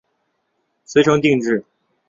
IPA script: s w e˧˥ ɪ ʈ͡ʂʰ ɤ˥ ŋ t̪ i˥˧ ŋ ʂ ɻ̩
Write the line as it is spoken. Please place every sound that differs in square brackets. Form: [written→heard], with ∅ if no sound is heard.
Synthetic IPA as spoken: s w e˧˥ ɪ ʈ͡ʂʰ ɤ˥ ŋ t̪ i˥˧ ŋ [ʂ→ʈ͡ʂ] ɻ̩